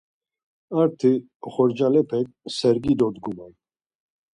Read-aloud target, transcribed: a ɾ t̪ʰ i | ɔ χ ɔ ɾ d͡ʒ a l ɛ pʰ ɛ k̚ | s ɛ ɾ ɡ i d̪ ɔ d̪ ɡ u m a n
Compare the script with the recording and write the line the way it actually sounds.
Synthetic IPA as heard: a ɾ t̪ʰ i | ɔ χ ɔ ɾ d͡ʒ a l ɛ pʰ ɛ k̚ | s ɛ ɾ ɡ i d̪ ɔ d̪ ɡ u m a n